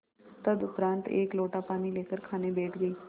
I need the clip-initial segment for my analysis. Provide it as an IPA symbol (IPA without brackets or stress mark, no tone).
t̪